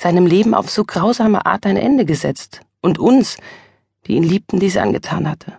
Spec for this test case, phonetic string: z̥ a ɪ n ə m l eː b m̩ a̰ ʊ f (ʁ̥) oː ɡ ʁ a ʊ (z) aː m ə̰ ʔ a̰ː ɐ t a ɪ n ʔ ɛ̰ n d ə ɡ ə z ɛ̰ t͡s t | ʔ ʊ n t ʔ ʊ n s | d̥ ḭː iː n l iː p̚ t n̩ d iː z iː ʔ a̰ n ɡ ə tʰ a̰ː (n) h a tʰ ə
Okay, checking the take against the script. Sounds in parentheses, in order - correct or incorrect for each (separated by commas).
incorrect, correct, correct